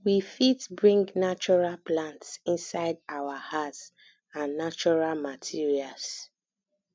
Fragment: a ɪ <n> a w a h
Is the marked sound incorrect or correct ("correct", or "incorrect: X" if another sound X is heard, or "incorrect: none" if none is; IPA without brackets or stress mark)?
incorrect: d